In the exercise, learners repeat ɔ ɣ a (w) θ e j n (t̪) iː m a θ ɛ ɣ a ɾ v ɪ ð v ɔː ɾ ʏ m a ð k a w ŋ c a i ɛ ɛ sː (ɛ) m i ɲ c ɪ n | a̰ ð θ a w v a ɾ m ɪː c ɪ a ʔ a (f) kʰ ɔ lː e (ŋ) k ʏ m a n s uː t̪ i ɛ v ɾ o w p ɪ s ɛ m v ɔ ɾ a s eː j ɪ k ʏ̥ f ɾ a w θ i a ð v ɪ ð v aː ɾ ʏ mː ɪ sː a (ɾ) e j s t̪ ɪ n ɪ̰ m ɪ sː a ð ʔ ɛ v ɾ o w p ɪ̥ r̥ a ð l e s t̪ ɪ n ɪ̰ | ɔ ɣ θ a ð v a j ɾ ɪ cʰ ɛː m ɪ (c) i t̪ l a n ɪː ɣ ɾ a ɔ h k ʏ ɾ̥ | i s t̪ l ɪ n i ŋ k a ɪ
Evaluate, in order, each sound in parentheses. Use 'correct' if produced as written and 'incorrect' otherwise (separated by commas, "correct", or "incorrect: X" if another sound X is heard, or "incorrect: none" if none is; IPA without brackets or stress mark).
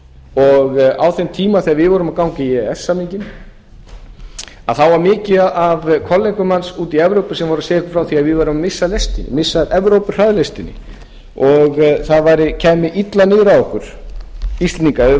correct, incorrect: t̪ʰ, incorrect: a, incorrect: v, correct, incorrect: l, incorrect: ʔ